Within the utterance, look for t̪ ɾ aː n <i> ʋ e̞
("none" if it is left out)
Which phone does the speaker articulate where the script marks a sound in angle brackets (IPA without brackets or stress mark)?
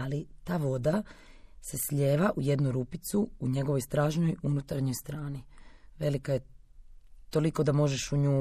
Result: i